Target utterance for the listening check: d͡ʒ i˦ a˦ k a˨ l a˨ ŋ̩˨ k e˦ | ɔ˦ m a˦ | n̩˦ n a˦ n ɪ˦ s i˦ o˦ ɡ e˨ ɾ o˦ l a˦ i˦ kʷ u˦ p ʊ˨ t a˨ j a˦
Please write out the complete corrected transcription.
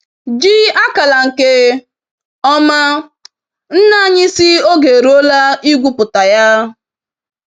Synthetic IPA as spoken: d͡ʒ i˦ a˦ k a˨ l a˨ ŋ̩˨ k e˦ | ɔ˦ m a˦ | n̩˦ n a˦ ɲ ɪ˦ s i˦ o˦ ɡ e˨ ɾ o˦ l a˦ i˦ ɡʷ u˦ p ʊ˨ t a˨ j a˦

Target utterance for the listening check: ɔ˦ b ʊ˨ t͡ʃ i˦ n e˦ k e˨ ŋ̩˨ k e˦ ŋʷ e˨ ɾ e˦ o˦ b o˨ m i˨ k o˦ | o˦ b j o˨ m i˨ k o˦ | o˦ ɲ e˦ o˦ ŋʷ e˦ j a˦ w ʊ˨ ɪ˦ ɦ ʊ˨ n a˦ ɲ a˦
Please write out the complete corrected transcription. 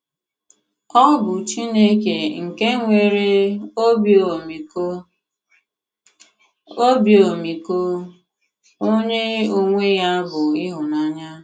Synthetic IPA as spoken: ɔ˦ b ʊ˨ t͡ʃ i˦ n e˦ k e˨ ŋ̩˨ k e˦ ŋʷ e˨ ɾ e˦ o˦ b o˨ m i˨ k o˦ | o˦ b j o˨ m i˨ k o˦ | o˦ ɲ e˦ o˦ ŋʷ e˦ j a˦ b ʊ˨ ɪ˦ ɦ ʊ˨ n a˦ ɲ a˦

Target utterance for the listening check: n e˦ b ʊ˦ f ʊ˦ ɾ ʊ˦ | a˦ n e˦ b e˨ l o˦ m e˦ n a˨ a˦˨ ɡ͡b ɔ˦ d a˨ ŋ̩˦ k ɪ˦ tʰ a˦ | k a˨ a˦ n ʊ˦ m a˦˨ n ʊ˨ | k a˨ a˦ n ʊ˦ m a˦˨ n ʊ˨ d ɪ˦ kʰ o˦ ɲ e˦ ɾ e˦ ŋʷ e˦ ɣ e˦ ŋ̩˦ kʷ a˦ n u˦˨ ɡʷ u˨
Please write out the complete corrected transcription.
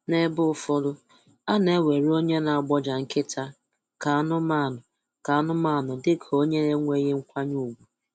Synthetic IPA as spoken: n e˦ b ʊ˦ f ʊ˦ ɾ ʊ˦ | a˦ n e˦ w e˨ ɾ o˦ ɲ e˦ n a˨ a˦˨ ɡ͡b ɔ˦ d͡ʒ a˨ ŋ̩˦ k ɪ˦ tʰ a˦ | k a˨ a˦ n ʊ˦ m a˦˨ n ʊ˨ | k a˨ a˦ n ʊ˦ m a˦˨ n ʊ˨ d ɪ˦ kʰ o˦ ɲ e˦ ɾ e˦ ŋʷ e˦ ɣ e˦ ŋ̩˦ kʷ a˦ ɲ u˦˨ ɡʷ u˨

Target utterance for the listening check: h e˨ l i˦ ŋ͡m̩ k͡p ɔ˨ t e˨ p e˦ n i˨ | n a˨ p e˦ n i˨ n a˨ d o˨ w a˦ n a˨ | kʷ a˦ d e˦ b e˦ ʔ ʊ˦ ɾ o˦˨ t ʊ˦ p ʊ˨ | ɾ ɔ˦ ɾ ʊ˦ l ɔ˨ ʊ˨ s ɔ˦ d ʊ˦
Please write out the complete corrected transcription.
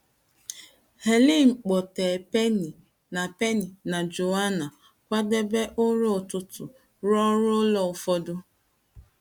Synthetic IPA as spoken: h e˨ l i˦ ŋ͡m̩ k͡p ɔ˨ t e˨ p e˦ n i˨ | n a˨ p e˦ n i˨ n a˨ d͡ʒ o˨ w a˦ n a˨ | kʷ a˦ d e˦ b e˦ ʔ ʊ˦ ɾ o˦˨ t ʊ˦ t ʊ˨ | ɾ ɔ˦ ɾ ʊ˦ l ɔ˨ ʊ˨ f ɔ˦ d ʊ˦

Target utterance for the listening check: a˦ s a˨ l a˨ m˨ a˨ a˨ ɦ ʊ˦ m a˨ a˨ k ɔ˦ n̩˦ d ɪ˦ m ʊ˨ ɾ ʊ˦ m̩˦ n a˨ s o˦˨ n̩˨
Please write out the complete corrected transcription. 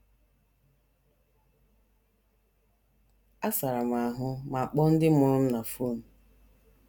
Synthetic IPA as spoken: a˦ s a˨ ɾ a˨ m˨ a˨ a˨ ɦ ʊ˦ m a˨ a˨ k͡p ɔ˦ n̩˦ d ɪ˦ m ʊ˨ ɾ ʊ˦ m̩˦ n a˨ f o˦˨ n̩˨

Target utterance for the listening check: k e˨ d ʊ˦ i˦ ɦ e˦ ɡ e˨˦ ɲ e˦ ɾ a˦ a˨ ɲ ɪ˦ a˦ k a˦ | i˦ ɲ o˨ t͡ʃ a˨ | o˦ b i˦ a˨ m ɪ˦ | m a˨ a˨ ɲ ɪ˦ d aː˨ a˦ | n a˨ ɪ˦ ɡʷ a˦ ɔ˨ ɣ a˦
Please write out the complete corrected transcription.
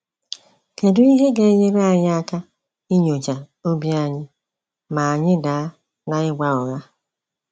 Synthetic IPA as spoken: k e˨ d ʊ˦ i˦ ɦ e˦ ɡ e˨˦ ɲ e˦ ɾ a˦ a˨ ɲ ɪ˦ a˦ k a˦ | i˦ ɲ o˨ t͡ʃ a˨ | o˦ b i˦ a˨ ɲ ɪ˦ | m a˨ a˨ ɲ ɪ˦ d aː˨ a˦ | n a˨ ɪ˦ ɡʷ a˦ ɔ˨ ɣ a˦

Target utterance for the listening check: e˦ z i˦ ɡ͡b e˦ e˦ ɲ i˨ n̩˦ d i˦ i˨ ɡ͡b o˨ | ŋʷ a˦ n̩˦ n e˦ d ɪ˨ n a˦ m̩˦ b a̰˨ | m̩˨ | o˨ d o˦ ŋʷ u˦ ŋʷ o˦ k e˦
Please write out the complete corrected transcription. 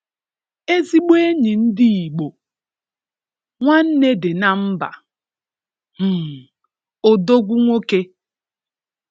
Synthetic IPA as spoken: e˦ z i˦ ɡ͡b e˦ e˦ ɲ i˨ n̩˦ d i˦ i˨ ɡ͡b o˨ | ŋʷ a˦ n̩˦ n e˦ d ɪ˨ n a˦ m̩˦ b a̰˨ | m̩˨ | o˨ d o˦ ɡʷ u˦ ŋʷ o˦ k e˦

